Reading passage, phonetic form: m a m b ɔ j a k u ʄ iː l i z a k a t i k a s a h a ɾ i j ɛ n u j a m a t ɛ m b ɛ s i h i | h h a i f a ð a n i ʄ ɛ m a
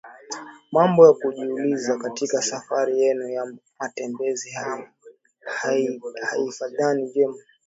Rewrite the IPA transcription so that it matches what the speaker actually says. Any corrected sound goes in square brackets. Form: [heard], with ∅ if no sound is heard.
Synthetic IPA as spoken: m a m b ɔ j a k u ʄ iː l i z a k a t i k a s a [f] a ɾ i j ɛ n u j a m a t ɛ m b ɛ [z] i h [a] | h h a i f a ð a n i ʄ ɛ m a